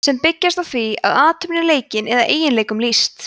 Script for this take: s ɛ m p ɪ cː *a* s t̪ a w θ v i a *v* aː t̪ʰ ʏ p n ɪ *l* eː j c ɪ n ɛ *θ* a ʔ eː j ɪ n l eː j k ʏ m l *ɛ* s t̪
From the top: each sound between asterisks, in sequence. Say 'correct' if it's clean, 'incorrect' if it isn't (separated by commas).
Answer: correct, incorrect, correct, incorrect, incorrect